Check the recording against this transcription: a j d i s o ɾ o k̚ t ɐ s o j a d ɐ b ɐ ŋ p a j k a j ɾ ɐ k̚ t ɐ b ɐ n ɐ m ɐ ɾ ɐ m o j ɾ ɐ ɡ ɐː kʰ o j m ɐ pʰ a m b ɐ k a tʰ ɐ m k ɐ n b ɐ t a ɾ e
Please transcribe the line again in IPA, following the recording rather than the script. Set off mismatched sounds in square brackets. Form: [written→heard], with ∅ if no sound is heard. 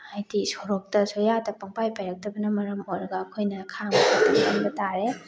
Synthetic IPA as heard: a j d i s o ɾ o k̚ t ɐ s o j a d ɐ [b→p] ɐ ŋ p a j [k→p] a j ɾ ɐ k̚ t ɐ b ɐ n ɐ m ɐ ɾ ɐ m o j ɾ ɐ ɡ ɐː kʰ o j [m→n] ɐ [pʰ→kʰ] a [m→ŋ] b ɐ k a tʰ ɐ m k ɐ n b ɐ t a ɾ e